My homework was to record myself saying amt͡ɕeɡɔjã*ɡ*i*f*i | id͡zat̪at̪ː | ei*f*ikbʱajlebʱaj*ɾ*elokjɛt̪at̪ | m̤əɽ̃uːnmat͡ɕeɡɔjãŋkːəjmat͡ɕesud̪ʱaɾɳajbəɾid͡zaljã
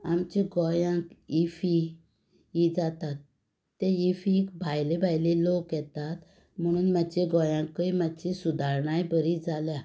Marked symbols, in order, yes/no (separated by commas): no, yes, yes, no